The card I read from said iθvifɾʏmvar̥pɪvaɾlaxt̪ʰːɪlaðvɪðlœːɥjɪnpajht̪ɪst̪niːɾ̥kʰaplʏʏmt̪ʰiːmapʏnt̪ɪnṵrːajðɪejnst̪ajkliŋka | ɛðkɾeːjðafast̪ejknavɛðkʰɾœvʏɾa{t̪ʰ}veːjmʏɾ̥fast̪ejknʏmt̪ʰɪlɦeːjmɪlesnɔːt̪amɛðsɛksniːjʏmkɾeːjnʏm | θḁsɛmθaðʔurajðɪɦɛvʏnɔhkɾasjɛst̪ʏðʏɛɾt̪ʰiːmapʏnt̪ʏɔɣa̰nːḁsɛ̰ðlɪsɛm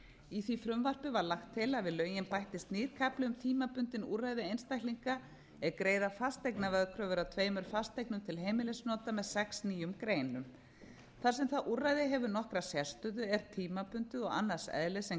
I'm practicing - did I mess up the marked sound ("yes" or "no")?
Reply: no